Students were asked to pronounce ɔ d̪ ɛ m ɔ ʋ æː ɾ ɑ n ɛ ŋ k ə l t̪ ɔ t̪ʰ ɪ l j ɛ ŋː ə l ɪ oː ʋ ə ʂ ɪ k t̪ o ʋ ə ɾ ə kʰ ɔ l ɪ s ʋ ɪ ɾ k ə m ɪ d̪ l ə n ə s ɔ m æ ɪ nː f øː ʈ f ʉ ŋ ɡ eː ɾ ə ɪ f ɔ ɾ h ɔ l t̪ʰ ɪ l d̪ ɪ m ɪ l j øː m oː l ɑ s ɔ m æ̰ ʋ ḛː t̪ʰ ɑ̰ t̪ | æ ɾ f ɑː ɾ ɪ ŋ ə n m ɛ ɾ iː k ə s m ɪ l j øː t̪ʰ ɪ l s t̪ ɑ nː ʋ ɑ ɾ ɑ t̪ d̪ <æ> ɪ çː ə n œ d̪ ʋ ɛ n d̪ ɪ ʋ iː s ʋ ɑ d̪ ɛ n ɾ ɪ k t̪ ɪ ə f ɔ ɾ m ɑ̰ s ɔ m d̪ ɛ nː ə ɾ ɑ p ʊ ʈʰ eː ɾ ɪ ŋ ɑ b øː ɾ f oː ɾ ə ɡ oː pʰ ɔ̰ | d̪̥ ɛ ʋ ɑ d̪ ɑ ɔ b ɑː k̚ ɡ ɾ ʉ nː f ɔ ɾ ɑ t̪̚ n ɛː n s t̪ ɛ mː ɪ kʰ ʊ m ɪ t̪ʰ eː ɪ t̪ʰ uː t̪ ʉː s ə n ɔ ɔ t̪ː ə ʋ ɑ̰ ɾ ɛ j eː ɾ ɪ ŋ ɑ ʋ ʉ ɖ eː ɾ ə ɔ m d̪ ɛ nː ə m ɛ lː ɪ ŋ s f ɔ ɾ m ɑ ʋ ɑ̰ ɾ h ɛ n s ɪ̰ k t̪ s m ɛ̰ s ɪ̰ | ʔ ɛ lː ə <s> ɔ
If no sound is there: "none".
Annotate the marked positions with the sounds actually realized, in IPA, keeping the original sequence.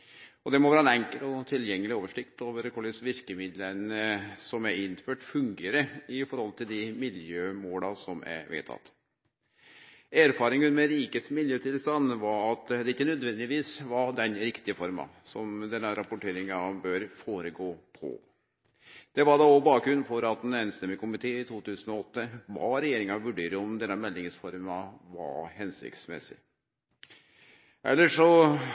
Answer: ɛ, ʂ

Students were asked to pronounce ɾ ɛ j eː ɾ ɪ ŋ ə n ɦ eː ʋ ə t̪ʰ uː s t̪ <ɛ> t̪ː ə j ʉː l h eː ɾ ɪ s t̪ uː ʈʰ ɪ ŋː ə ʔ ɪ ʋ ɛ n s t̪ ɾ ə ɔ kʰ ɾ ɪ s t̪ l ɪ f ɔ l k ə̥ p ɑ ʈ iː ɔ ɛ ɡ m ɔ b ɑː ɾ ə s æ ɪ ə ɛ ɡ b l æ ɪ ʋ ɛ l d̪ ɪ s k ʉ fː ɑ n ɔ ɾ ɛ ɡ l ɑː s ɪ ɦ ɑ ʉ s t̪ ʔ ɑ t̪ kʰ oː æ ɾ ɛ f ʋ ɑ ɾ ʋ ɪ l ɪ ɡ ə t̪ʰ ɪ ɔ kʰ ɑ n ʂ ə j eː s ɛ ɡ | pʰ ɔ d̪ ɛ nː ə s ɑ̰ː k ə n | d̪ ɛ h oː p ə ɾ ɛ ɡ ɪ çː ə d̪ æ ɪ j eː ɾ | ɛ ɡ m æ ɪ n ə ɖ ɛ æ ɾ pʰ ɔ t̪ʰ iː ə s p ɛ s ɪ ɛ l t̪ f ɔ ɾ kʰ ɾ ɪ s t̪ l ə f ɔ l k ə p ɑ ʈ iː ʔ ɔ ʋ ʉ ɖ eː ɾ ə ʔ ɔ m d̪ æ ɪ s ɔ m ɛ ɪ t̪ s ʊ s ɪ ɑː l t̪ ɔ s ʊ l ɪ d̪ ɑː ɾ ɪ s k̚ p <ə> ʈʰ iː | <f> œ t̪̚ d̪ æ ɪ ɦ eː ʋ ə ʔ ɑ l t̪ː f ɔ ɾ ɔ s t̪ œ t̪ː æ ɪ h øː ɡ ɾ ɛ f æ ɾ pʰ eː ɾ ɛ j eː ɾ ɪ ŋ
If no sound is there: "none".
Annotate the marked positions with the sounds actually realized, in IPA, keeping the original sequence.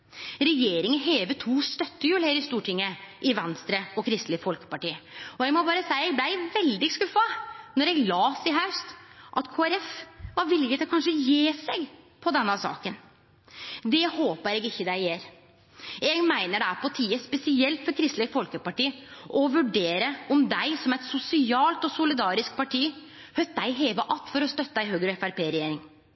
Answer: œ, ɑ, h

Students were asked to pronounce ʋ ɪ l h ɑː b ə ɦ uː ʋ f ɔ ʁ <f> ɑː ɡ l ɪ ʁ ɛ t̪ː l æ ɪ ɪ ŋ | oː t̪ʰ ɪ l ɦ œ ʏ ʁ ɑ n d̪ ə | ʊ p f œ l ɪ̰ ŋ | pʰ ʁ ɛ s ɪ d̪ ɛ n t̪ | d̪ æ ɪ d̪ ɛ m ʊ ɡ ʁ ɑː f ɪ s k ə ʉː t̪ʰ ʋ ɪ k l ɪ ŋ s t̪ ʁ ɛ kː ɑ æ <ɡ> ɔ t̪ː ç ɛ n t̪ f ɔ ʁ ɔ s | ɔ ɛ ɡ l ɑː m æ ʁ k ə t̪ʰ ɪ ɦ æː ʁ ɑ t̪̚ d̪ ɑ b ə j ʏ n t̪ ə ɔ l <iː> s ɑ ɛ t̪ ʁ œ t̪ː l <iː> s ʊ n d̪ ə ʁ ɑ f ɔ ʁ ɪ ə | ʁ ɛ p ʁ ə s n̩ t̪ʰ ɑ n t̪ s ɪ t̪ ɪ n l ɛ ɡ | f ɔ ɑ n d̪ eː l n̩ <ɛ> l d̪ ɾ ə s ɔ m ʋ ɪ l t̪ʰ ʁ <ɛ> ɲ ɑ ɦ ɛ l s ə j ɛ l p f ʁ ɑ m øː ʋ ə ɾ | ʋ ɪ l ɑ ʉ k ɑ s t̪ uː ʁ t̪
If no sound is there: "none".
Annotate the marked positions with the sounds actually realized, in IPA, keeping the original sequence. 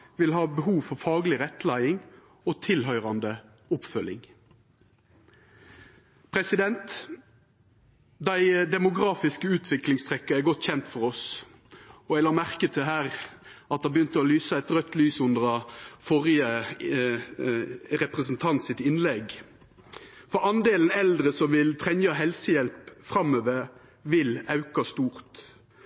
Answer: f, ɡ, yː, yː, ɛ, ɛ

